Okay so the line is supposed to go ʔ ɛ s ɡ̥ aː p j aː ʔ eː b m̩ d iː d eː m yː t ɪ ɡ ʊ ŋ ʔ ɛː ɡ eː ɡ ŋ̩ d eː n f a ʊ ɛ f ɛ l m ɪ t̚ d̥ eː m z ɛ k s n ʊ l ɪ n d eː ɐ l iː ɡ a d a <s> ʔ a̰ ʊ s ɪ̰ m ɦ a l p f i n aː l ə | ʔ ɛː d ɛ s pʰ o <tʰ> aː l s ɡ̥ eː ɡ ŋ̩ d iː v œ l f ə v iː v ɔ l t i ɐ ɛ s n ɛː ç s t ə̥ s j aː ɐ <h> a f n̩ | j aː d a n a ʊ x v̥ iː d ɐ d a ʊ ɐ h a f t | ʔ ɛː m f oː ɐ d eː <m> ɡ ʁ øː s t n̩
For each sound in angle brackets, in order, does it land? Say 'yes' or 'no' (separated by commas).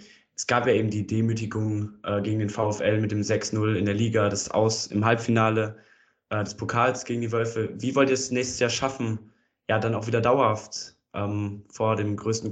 yes, no, no, yes